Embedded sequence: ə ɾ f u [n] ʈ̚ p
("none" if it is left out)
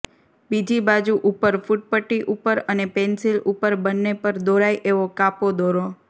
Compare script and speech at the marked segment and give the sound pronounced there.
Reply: none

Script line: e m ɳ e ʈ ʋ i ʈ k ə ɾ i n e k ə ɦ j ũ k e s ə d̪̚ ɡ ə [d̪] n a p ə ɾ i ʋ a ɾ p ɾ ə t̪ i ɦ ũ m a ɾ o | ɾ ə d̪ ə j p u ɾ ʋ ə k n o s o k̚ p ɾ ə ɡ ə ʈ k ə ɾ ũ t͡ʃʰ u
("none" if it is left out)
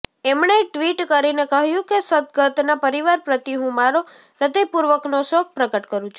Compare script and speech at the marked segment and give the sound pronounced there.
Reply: t̪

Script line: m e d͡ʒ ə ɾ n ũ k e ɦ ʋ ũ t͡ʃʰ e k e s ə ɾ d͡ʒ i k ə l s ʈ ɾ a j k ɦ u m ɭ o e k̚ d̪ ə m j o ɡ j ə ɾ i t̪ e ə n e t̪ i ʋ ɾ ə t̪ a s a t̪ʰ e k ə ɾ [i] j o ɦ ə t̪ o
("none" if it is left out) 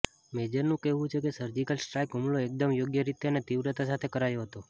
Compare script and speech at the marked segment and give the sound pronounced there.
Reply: a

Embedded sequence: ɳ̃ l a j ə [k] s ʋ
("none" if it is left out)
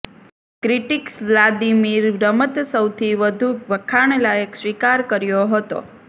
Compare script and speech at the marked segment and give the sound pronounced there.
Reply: k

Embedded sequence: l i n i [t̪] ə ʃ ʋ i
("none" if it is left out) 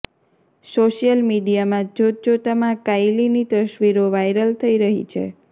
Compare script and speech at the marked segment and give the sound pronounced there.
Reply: t̪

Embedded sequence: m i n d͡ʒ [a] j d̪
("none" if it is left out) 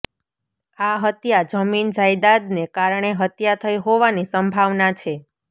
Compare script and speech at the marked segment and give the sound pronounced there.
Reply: a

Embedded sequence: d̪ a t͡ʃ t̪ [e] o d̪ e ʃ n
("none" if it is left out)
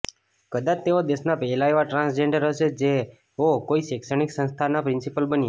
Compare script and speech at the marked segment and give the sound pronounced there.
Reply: e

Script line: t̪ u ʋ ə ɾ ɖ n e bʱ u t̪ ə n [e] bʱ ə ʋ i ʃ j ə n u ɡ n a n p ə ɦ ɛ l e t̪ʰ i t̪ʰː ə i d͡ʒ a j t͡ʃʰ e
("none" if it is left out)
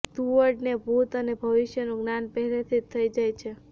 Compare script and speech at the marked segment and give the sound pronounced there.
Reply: e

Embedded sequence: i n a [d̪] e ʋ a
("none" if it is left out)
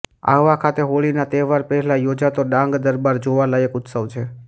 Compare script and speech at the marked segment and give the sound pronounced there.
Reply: t̪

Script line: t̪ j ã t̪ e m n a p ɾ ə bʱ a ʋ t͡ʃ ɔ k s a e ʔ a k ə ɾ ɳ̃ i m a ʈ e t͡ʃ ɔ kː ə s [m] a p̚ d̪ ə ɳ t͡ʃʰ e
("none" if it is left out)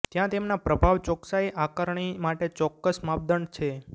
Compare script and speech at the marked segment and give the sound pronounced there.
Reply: m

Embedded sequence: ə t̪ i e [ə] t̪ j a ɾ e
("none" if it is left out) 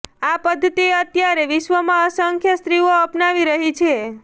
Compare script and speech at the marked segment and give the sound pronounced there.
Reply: ə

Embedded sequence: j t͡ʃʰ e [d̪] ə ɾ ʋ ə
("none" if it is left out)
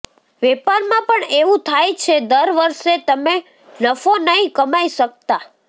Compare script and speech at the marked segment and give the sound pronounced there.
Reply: d̪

